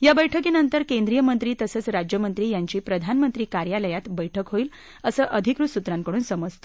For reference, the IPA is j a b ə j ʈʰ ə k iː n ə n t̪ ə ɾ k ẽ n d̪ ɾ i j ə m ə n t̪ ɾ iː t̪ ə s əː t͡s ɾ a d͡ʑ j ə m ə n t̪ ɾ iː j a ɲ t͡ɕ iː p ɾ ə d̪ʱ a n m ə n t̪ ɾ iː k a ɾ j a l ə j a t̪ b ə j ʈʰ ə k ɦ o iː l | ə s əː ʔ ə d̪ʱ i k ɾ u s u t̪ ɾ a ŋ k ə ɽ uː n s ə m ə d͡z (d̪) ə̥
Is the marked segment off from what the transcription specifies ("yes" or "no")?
yes